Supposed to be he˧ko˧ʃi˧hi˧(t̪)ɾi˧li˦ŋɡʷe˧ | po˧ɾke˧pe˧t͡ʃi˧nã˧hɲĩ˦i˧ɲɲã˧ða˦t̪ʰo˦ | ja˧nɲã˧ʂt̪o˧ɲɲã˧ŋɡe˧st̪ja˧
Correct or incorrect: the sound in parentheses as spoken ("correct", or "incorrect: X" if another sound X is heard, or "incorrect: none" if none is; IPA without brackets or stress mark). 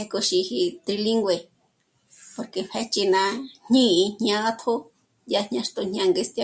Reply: correct